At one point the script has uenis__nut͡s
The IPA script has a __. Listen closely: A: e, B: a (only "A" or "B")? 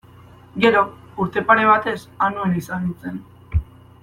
B